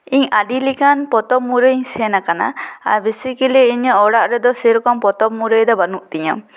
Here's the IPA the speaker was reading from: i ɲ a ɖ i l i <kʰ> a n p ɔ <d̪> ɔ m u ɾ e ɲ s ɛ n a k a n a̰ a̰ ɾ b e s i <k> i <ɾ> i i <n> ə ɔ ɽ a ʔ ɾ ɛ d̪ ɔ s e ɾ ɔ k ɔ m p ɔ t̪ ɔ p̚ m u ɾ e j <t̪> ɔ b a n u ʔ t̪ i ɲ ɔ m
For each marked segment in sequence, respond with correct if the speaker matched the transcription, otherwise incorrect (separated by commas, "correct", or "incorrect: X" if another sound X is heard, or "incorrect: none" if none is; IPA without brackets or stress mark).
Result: incorrect: k, incorrect: t̪, correct, incorrect: l, incorrect: ɲ, incorrect: d̪